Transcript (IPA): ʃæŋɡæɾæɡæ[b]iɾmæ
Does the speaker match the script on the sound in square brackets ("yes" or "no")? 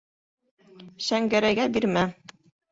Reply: yes